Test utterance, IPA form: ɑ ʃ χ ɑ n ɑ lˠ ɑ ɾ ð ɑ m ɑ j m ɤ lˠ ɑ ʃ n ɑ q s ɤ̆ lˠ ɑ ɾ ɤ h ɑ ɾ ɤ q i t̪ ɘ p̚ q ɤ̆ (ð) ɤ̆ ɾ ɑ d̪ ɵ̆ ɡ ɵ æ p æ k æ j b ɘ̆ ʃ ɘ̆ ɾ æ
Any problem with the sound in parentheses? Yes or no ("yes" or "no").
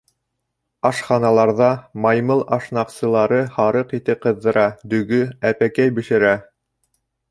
yes